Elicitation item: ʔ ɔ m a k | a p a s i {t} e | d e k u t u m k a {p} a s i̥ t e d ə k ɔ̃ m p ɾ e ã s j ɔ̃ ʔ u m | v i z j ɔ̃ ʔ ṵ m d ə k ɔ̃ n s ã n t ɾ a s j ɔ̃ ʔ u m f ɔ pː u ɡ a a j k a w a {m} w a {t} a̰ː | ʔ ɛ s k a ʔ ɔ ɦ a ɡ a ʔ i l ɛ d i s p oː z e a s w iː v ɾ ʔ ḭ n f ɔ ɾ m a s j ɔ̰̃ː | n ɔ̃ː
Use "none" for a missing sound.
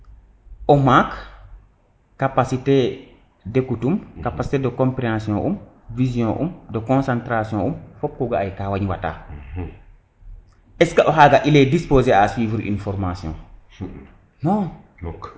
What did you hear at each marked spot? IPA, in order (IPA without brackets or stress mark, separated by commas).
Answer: t, p, ɲ, t